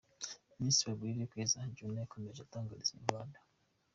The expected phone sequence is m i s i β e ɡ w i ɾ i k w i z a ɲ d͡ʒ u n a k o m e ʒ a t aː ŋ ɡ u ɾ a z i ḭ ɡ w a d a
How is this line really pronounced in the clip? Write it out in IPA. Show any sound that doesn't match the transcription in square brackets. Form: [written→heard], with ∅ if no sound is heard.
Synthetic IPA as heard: m i s i [β→w] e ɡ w i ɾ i k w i z a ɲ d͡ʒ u n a k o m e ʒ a t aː ŋ ɡ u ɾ [a→i] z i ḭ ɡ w a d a